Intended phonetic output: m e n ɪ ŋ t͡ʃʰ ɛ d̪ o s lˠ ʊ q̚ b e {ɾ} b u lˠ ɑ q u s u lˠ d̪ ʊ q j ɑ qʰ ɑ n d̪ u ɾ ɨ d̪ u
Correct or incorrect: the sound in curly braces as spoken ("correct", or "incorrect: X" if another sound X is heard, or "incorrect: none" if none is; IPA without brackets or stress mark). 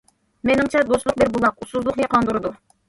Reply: correct